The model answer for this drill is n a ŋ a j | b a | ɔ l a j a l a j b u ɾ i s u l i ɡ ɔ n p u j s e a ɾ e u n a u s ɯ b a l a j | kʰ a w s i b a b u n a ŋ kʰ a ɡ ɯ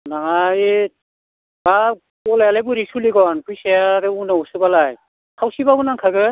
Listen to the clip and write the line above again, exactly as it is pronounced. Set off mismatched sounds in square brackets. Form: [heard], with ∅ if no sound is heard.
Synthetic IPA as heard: n a ŋ a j | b a | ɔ l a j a l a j b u ɾ i s u l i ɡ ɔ n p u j s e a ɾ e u n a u s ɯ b a l a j | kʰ a w s i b a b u n a ŋ kʰ a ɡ ɯ